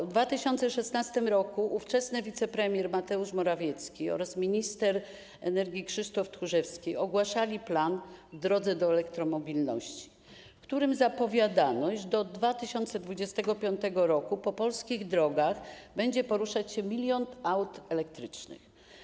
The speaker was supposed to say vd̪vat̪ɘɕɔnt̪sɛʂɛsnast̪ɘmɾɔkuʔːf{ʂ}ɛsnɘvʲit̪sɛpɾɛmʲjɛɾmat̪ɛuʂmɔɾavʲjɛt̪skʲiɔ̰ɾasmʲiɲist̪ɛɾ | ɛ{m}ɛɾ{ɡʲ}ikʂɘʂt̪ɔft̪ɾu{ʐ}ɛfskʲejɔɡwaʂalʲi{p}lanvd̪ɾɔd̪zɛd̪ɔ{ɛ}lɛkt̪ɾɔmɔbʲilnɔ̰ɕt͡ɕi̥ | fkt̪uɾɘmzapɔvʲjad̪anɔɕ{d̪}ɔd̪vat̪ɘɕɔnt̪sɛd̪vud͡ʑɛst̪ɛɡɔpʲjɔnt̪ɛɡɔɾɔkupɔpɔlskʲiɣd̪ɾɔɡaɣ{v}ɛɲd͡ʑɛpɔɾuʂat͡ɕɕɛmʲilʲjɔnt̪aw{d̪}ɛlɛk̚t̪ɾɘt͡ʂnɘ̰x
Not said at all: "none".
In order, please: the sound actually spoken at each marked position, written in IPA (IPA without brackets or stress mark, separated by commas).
t͡ʂ, n, ɡʲ, ʐ, p, ɛ, d̪, b, t̪